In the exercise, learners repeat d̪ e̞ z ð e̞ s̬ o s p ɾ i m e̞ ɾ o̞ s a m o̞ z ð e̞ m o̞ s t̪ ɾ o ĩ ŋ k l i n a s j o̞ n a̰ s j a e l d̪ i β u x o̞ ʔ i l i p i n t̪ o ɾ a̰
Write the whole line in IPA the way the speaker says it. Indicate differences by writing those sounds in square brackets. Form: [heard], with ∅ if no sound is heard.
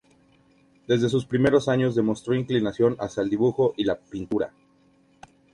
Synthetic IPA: d̪ e̞ z ð e̞ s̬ [u] s p ɾ i m e̞ ɾ o̞ s a [ɲ] o̞ z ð e̞ m o̞ s t̪ ɾ o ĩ ŋ k l i n a s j o̞ n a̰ s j a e l d̪ i β u x o̞ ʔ i l [a] p i n t̪ [u] ɾ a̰